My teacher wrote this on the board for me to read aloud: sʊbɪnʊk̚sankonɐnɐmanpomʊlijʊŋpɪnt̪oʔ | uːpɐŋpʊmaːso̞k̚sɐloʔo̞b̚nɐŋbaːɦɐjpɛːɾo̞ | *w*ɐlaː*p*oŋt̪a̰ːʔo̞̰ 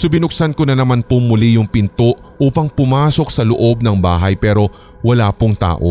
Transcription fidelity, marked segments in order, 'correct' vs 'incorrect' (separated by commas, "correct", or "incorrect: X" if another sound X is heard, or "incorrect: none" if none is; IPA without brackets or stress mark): correct, correct